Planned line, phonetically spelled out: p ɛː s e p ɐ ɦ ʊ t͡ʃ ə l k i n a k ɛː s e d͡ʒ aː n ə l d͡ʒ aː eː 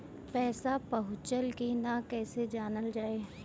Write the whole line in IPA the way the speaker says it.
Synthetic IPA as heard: p ɛː s a p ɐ ɦ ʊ t͡ʃ ə l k i n a k ɛː s e d͡ʒ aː n ə l d͡ʒ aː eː